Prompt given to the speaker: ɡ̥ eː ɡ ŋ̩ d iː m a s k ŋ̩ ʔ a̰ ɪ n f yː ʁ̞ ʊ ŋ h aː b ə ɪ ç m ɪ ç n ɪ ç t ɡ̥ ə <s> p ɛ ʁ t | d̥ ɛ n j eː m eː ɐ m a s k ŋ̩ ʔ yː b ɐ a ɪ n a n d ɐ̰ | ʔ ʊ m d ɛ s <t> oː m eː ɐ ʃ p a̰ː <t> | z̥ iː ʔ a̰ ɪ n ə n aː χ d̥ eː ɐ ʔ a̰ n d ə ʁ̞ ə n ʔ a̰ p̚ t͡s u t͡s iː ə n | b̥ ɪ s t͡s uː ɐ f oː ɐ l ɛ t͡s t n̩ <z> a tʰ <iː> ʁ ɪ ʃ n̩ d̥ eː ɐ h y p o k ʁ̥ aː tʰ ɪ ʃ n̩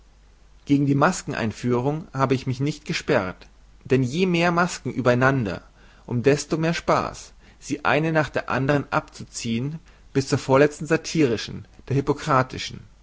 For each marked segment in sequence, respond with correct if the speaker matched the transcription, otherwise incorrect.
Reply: incorrect: ʃ, correct, incorrect: s, correct, correct

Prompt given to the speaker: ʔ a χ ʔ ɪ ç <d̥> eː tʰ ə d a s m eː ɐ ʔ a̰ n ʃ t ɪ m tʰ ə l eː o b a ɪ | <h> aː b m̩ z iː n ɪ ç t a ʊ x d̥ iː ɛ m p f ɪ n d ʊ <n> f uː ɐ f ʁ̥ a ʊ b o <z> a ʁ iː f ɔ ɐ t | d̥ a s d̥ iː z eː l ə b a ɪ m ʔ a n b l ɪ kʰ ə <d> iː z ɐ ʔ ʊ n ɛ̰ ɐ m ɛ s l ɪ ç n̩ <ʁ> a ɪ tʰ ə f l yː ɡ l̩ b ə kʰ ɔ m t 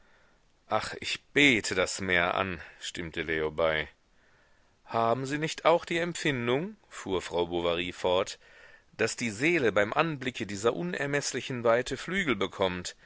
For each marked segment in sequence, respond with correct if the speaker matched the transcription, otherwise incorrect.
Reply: incorrect: b̥, correct, incorrect: ŋ, incorrect: v, correct, incorrect: v

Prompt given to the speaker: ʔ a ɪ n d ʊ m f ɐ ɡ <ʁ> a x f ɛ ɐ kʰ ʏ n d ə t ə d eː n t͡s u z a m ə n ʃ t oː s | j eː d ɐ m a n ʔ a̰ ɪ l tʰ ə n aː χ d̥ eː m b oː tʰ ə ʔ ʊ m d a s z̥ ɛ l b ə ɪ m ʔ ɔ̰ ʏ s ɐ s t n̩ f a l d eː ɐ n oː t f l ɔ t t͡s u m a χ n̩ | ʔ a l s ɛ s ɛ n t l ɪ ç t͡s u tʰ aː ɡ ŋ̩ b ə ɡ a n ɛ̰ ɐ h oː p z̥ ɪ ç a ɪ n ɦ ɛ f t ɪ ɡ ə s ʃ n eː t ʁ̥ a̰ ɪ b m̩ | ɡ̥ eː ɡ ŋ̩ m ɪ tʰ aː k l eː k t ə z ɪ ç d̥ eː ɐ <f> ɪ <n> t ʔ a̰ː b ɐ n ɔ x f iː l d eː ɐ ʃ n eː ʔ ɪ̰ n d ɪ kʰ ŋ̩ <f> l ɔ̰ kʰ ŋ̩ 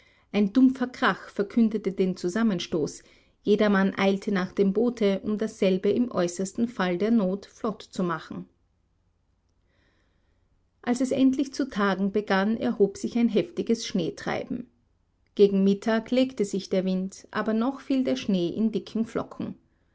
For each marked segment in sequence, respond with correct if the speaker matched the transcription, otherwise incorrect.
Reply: correct, incorrect: v, correct, correct

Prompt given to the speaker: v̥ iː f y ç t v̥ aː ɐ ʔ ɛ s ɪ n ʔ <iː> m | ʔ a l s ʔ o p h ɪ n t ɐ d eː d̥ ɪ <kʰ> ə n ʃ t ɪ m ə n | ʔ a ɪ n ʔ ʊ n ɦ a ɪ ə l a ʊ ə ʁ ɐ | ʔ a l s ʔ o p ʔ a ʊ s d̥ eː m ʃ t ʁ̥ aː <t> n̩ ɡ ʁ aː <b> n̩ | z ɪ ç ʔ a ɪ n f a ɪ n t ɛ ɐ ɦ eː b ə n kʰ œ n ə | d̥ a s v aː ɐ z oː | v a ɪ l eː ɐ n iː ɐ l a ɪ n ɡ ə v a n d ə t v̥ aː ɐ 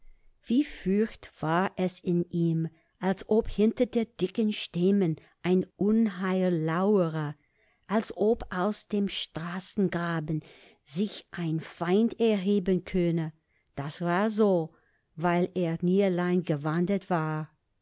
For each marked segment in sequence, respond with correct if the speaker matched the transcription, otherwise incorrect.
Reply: correct, incorrect: k, incorrect: s, correct

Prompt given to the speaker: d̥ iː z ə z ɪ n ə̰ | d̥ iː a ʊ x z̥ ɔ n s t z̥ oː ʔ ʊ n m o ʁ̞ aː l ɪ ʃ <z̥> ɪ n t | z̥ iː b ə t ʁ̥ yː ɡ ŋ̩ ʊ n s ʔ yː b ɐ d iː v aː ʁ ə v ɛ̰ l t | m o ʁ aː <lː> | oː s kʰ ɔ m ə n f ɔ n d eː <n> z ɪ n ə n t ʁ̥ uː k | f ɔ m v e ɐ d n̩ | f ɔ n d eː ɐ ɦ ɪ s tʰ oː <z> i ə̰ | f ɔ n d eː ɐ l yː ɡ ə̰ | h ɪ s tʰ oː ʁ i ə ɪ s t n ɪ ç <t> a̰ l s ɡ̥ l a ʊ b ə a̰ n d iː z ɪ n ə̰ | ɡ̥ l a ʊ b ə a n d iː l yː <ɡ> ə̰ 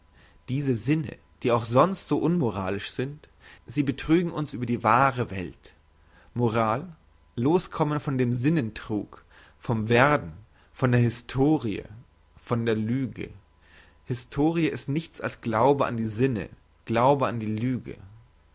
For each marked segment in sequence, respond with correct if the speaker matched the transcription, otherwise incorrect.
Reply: correct, correct, incorrect: m, incorrect: ʁ, incorrect: t͡s, correct

